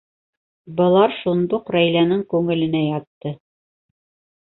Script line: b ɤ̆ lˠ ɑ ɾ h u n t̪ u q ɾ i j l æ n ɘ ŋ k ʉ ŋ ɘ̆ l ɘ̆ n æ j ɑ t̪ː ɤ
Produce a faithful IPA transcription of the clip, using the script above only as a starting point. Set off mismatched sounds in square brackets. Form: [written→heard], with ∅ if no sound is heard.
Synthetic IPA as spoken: b ɤ̆ lˠ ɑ ɾ [h→ʃ] u n [t̪→d̪] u q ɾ [i→æ] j l æ n ɘ ŋ k ʉ ŋ ɘ̆ l ɘ̆ n æ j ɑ t̪ː ɤ